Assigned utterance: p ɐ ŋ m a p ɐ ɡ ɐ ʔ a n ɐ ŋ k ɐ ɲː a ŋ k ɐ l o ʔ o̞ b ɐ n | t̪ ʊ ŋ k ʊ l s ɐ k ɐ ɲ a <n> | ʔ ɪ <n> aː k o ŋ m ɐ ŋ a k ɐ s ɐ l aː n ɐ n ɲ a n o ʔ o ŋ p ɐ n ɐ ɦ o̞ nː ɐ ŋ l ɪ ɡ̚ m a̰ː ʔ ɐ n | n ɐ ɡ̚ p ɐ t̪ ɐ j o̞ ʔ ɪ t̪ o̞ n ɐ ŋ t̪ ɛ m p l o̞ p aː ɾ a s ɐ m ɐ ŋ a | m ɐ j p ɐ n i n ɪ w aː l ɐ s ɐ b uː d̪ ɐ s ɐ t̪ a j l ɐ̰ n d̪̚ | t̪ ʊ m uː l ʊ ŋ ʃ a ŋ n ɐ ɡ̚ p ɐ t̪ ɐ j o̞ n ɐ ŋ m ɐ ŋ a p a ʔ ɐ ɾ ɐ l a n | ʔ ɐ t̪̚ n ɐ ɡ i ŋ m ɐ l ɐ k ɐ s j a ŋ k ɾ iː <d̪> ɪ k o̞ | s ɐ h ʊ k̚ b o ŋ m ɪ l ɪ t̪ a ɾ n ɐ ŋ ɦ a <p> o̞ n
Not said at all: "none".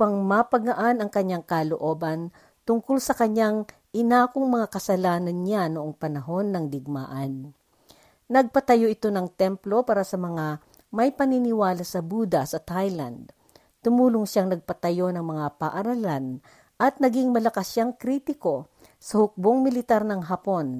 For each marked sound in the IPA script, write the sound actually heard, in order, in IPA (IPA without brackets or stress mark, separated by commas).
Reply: ŋ, n, t̪, p